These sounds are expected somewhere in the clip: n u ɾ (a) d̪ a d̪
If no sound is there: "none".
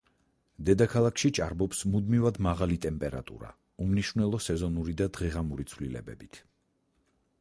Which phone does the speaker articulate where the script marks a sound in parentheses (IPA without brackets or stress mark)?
i